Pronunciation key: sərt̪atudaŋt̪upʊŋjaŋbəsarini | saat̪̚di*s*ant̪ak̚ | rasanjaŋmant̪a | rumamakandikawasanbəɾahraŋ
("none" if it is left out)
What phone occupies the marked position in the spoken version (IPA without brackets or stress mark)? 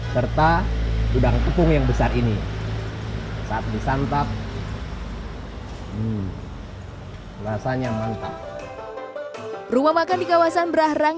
s